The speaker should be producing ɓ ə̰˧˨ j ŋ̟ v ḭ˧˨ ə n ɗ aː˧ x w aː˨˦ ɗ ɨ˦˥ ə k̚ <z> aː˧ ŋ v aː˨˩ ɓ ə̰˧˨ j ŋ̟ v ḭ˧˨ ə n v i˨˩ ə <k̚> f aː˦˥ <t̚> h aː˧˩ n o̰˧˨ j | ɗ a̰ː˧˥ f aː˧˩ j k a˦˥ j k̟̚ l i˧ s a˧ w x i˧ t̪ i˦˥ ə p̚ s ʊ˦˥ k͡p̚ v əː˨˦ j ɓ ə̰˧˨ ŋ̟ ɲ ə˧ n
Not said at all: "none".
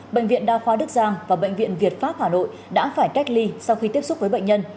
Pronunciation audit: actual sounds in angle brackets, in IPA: z, t̚, p̚

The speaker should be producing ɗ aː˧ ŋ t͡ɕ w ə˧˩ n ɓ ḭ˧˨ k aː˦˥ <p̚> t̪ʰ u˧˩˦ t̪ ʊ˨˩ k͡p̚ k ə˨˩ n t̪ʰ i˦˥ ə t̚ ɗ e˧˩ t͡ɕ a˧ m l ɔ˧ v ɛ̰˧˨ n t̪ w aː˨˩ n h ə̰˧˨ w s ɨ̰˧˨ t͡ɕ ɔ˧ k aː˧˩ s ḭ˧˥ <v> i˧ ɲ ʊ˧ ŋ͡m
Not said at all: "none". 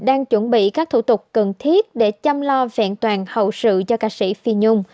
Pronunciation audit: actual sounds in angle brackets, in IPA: k̚, f

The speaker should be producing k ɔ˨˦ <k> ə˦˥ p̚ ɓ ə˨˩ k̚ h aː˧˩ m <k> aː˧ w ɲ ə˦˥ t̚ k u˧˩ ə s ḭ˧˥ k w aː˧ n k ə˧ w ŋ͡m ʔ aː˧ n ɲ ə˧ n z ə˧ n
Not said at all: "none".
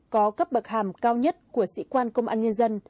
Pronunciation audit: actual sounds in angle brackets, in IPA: k, k

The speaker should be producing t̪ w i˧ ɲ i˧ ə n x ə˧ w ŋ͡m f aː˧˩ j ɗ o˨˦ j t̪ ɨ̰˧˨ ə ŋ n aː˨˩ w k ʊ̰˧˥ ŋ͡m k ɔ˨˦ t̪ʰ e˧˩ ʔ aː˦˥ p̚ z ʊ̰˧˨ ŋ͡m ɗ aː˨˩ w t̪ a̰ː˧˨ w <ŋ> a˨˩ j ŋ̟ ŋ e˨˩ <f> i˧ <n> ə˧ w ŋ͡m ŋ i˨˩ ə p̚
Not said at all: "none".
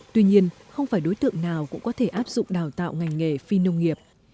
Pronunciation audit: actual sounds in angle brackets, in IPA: ŋ, f, n

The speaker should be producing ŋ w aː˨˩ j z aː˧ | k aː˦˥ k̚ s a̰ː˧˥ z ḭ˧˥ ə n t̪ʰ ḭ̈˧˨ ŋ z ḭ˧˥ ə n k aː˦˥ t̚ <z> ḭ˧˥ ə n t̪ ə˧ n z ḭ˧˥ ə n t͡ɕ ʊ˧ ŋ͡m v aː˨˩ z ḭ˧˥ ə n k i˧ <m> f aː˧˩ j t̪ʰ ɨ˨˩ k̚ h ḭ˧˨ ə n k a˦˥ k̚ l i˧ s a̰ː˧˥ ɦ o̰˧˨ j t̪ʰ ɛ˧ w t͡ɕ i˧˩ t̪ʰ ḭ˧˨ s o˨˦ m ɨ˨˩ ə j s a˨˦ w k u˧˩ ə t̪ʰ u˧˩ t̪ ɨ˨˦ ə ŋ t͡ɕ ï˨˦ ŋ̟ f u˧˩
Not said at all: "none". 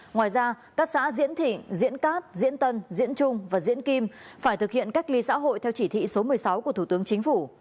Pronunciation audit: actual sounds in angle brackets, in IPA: z, m

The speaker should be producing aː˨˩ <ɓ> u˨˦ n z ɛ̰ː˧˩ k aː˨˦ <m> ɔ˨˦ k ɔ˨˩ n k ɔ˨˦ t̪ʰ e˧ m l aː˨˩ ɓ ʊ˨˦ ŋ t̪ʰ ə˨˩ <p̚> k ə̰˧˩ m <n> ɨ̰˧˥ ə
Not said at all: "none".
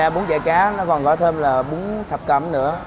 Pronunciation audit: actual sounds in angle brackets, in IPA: ɓ, n, p̚, n

